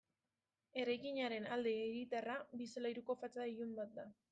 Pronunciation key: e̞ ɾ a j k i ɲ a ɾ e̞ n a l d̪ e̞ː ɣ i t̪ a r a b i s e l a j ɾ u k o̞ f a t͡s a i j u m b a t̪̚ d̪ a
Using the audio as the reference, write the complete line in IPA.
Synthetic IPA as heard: e̞ ɾ a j k i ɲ a ɾ e̞ n a l d̪ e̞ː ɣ i t̪ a r a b i s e l a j ɾ u k o̞ f a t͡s a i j u m b a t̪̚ d̪ a